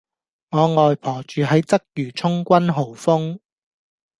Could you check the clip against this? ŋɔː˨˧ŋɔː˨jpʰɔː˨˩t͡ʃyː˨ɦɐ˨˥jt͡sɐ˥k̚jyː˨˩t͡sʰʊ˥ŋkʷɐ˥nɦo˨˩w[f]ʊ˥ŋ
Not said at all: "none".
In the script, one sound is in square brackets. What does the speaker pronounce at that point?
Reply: f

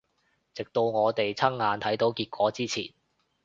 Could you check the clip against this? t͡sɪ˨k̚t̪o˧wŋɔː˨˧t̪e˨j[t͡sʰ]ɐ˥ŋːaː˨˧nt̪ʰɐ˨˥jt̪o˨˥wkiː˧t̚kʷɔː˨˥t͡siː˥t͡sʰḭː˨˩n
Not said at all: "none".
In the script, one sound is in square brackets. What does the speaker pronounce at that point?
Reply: t͡sʰ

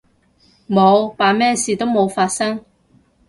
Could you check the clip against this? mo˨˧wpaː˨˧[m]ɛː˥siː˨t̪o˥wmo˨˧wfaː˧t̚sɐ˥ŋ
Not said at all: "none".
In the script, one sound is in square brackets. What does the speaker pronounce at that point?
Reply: m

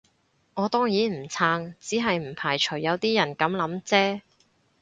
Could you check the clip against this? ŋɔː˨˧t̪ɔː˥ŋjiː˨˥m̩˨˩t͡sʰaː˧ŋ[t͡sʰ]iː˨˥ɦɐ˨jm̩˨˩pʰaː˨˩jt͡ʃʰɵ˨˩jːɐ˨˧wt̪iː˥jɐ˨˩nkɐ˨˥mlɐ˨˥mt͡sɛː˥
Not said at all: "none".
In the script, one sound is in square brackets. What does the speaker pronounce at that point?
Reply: t͡s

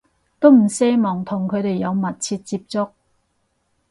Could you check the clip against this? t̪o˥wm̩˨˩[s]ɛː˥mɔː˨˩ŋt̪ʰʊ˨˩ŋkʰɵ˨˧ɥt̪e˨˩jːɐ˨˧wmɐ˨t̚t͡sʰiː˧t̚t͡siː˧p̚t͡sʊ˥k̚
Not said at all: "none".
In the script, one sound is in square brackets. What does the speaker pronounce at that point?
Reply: s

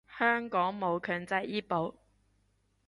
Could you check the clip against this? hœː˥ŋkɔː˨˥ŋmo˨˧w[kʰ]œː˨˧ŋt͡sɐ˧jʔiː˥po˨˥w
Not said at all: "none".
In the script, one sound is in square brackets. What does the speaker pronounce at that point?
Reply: kʰ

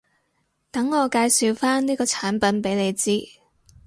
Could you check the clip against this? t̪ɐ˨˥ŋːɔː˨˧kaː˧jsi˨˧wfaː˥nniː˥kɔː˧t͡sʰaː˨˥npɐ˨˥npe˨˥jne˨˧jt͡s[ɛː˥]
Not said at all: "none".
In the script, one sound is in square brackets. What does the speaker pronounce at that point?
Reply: iː˥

